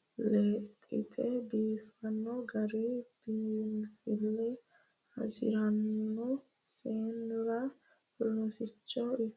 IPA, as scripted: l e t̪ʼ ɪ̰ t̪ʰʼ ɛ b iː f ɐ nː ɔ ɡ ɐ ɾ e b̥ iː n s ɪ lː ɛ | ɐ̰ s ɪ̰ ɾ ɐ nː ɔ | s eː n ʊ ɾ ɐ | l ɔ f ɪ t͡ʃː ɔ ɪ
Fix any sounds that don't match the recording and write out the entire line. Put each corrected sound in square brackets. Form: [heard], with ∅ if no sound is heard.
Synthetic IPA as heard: l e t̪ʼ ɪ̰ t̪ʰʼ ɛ b iː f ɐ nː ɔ ɡ ɐ ɾ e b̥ iː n [f] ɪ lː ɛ | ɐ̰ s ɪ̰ ɾ ɐ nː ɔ | s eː n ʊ ɾ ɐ | l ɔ [s] ɪ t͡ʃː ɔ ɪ